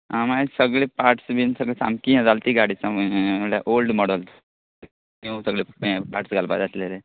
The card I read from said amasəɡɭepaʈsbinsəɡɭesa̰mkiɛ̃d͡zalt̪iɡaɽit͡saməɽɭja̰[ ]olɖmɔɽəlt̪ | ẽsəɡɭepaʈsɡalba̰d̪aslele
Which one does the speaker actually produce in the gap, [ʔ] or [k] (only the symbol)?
ʔ